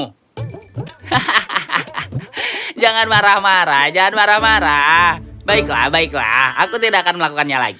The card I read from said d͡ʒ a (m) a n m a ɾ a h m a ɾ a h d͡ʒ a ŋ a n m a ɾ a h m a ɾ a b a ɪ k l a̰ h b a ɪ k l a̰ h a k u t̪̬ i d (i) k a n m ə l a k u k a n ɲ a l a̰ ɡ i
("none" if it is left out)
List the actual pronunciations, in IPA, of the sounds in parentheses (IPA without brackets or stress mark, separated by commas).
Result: ŋ, a